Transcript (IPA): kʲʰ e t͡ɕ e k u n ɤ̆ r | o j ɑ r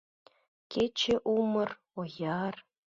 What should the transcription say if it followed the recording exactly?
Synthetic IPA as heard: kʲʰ e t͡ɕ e ʔ u m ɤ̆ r | o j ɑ r

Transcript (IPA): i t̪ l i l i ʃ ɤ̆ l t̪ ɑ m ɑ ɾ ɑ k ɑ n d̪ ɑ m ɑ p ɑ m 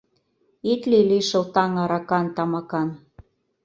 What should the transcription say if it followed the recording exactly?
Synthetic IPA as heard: i t̪ l i l i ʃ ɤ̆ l t̪ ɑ ŋ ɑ ɾ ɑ k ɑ n t̪ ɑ m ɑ k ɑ n

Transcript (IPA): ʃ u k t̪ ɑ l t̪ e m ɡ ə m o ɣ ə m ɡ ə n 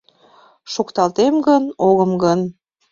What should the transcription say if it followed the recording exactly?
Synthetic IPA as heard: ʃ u k t̪ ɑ l t̪ e m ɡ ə n o ɣ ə m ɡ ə n

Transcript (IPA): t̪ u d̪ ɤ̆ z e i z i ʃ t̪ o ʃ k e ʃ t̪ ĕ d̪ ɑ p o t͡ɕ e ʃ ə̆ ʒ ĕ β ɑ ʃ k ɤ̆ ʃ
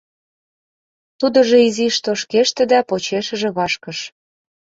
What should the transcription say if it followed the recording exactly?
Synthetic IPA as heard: t̪ u d̪ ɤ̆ ʒ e i z i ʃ t̪ o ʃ k e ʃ t̪ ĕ d̪ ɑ p o t͡ɕ e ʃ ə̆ ʒ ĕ β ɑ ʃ k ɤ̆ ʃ

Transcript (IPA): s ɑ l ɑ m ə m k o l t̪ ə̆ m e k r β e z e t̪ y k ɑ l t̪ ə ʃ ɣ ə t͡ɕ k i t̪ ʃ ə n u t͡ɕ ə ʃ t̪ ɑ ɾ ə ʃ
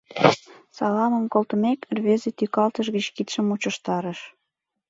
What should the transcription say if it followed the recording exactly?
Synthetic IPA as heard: s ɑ l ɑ m ə m k o l t̪ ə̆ m e k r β e z e t̪ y k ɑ l t̪ ə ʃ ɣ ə t͡ɕ k i t̪ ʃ ə m u t͡ɕ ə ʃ t̪ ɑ ɾ ə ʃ

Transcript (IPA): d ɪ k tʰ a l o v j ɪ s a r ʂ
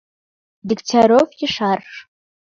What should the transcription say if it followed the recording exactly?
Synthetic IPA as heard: d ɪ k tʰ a ɾ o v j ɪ ʂ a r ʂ

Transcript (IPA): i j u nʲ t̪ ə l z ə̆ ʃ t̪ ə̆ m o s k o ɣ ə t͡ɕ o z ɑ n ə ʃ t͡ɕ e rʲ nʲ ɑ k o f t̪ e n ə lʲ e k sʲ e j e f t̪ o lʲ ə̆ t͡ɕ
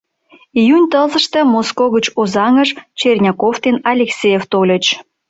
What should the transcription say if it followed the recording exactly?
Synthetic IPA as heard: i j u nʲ t̪ ə l z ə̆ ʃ t̪ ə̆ m o s k o ɣ ə t͡ɕ o z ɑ ŋ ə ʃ t͡ɕ e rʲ nʲ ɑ k o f t̪ e n ɑ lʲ e k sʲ e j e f t̪ o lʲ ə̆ t͡ɕ

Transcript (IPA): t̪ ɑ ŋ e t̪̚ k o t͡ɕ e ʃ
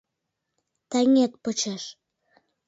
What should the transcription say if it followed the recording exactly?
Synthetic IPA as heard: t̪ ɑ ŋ e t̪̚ p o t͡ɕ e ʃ

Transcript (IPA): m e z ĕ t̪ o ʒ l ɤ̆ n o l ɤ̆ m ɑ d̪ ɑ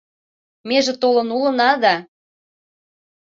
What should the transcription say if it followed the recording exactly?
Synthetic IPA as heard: m e ʒ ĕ t̪ o l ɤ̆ n u l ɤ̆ n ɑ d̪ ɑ

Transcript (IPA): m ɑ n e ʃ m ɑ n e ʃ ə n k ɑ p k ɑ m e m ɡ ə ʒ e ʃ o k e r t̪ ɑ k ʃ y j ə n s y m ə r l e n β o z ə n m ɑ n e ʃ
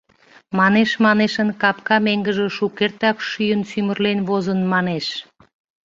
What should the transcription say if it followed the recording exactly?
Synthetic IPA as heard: m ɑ n e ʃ m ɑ n e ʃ ə n k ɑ p k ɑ m e ŋ ɡ ə ʒ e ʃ u k e r t̪ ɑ k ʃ y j ə n s y m ə r l e n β o z ə n m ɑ n e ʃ

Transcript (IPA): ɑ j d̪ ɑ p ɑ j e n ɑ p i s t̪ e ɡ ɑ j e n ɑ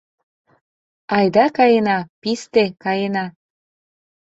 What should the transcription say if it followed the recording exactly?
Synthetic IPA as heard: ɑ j d̪ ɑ k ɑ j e n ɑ p i s t̪ e k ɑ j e n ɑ

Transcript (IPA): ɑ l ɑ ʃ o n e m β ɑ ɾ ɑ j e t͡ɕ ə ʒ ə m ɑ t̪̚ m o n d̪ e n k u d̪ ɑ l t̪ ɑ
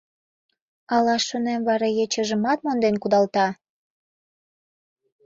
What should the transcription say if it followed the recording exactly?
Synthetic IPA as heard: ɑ l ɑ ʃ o n e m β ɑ ɾ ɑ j e t͡ɕ ə ʒ ə m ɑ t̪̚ m o n d̪ e n k u d̪ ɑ l t̪ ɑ

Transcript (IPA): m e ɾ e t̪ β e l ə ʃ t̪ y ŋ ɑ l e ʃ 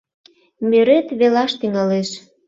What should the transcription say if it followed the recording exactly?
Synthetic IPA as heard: m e ɾ e t̪ β e l ɑ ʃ t̪ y ŋ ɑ l e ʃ

